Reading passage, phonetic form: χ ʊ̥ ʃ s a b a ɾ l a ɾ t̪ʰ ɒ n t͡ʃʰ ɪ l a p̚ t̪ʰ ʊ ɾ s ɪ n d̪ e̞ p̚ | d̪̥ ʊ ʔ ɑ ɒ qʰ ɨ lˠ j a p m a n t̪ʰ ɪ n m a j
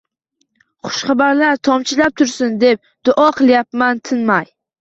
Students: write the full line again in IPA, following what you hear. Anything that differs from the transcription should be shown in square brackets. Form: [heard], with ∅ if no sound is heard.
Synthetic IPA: χ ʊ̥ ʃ [χ] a b a ɾ l a ɾ t̪ʰ ɒ [m] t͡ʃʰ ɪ l a p̚ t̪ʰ ʊ ɾ s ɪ n d̪ e̞ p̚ | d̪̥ ʊ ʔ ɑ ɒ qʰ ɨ lˠ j a p m a n t̪ʰ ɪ n m a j